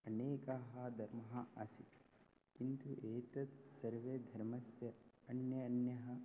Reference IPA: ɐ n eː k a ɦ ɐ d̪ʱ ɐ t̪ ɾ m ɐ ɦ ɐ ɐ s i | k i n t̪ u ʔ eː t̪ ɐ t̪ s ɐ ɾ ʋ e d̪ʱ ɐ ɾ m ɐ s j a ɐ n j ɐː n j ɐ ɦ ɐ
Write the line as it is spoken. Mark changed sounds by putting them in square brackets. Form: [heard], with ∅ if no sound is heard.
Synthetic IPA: ɐ n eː k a ɦ ɐ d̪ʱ ɐ [∅] ɾ m ɐ ɦ ɐ ɐ s i | k i n t̪ u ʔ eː t̪ ɐ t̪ s ɐ ɾ ʋ e d̪ʱ ɐ ɾ m ɐ s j [ɐ] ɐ n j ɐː n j ɐ ɦ ɐ